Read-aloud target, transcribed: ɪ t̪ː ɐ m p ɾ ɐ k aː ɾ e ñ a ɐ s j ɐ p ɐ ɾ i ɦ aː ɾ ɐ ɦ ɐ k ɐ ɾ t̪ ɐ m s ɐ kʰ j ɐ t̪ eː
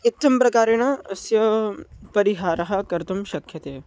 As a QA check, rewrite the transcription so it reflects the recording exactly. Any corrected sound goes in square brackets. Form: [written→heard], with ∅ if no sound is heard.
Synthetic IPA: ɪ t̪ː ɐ m p ɾ ɐ k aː ɾ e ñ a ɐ s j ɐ p ɐ ɾ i ɦ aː ɾ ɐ ɦ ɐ k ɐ ɾ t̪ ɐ m [s→ʃ] ɐ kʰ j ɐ t̪ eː